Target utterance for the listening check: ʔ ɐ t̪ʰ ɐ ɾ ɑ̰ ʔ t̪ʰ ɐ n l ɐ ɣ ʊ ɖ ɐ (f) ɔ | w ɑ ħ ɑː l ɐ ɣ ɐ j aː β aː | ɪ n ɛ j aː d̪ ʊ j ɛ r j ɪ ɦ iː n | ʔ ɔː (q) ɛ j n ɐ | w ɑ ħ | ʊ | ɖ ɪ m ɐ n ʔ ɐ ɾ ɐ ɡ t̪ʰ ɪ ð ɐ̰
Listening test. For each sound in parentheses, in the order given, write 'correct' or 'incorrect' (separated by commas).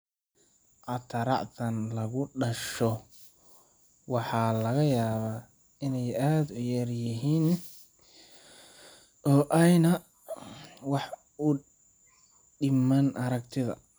incorrect, incorrect